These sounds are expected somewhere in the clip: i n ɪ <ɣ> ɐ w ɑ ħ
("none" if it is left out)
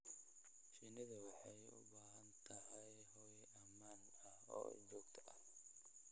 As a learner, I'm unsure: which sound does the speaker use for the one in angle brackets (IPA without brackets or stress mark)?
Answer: ð